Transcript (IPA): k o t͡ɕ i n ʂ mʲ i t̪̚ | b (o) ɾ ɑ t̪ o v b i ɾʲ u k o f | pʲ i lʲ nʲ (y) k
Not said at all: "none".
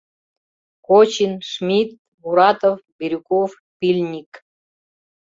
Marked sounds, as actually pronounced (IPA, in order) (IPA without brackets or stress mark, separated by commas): u, i